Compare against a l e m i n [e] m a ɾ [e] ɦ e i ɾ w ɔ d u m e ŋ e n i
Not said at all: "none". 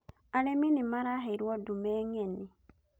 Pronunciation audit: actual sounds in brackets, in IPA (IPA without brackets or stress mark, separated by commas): i, a